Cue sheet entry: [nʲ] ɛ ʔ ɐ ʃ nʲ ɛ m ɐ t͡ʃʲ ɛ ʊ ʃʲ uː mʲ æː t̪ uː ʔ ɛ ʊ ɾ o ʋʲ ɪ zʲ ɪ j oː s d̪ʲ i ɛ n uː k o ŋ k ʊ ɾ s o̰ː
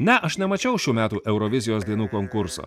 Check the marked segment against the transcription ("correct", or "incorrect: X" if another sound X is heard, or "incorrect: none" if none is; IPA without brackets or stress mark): correct